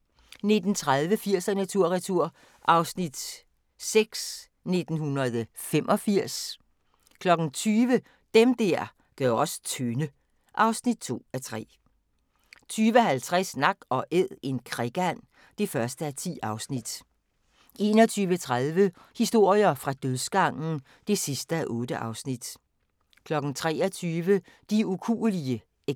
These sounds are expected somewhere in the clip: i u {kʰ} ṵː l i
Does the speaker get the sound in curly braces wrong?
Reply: no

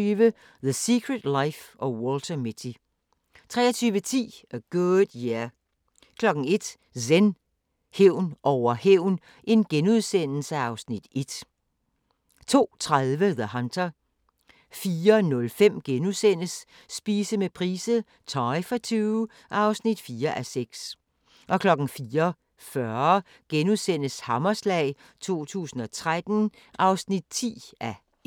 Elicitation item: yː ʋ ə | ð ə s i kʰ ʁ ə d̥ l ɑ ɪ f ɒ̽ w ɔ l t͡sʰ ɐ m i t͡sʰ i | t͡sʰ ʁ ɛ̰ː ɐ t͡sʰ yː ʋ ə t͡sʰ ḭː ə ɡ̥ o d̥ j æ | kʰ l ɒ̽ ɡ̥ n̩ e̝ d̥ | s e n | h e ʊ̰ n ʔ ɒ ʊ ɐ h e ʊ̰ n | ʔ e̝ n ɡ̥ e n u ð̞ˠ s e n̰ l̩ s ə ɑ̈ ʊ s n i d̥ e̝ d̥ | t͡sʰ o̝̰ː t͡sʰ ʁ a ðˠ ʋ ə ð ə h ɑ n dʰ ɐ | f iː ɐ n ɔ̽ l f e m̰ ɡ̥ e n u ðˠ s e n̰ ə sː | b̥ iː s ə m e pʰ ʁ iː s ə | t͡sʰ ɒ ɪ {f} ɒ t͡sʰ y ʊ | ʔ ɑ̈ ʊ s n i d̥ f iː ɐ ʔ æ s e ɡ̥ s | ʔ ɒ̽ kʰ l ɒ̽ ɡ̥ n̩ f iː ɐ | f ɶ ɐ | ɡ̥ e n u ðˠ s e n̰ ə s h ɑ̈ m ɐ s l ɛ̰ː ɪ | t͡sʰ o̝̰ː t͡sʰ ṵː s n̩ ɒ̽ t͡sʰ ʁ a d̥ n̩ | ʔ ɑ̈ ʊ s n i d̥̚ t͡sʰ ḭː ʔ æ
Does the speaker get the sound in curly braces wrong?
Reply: no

